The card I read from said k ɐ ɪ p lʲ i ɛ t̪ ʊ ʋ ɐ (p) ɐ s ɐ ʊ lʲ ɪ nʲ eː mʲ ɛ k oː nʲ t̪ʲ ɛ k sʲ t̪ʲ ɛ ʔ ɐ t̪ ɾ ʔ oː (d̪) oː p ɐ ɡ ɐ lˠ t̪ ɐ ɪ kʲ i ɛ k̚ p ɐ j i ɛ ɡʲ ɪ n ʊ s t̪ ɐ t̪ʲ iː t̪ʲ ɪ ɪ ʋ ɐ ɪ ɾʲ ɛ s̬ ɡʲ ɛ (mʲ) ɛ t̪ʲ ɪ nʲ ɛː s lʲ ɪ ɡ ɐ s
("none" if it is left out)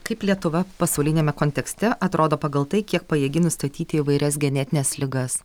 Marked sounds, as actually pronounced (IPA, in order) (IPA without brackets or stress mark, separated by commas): p, d̪, nʲ